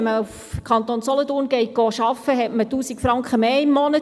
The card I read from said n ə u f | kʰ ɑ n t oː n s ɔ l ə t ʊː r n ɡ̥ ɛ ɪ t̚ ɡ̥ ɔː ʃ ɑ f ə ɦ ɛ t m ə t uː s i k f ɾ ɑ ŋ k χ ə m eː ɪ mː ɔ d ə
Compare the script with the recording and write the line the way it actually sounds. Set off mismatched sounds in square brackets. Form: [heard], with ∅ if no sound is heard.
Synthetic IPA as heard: [m] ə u f | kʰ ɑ n t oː n s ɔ l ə t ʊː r n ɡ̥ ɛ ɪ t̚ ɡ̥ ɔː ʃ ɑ f ə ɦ ɛ t m ə t uː s i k f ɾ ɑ ŋ k χ ə m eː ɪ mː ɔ [n] ə